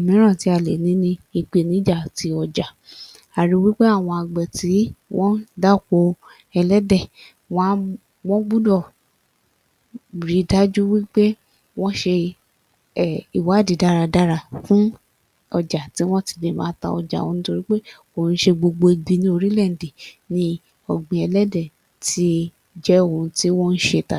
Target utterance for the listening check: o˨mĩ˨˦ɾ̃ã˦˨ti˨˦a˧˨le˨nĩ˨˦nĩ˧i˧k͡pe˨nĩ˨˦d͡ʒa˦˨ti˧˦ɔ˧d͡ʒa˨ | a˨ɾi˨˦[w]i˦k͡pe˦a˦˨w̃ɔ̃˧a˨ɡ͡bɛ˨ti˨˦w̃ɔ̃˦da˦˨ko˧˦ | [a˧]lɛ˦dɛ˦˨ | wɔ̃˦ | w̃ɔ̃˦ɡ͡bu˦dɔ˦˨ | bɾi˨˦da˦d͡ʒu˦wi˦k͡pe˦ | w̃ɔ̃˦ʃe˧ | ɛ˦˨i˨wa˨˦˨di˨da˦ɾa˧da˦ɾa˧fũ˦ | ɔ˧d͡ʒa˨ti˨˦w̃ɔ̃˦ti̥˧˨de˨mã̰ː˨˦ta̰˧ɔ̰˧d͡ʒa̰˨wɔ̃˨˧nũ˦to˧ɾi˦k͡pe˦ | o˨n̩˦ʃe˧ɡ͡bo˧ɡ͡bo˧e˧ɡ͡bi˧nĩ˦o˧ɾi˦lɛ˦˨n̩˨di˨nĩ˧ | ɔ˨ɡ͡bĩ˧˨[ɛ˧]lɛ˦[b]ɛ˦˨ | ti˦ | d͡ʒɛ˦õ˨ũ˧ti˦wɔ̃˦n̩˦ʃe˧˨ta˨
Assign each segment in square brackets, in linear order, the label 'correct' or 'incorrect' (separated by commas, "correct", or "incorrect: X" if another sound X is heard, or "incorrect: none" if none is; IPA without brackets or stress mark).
correct, incorrect: ɛ˧, correct, incorrect: d